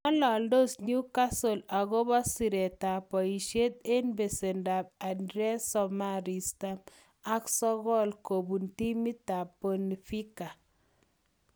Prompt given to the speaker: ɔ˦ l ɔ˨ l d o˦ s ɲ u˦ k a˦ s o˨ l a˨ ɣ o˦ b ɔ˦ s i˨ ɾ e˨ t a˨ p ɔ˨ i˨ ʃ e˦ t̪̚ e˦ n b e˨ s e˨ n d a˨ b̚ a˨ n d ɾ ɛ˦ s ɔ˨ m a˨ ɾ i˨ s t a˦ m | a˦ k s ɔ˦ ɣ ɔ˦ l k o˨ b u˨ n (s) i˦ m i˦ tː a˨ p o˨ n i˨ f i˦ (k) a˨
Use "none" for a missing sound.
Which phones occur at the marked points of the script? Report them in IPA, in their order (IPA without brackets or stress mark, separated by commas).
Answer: t, k